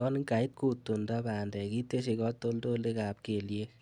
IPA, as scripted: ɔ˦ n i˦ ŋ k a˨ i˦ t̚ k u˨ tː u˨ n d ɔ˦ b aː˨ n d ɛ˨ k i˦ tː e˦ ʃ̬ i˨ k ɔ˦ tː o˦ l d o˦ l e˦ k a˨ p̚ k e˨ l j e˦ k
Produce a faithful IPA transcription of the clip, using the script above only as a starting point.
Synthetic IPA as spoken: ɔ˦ n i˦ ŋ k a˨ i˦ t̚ k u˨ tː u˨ n d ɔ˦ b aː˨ n d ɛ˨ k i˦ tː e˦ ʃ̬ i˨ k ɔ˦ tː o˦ l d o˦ l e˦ k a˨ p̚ k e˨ l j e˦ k